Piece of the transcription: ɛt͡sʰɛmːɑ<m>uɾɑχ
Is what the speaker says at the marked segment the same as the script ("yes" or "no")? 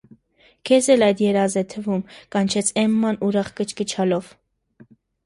no